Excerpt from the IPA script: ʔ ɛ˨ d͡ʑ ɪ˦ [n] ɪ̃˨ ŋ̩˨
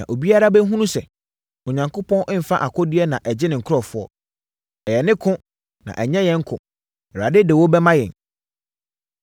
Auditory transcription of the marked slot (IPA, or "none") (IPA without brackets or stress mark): n